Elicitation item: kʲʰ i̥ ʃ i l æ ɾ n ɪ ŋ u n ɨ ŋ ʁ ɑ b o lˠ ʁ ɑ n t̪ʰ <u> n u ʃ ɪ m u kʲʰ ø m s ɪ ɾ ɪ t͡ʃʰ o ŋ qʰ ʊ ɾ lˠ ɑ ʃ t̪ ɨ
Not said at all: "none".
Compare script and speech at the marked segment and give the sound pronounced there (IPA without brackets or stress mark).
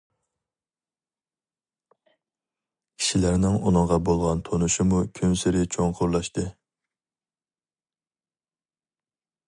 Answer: o